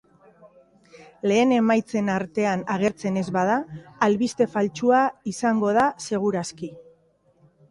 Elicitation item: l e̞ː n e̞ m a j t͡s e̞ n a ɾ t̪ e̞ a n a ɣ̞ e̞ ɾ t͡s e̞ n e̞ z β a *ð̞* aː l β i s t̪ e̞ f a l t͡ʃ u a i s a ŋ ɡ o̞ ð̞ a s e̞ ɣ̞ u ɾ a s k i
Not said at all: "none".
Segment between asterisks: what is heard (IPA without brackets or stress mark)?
ð̞